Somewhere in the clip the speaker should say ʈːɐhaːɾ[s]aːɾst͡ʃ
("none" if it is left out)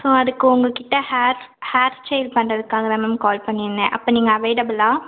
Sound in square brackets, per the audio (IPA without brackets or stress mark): h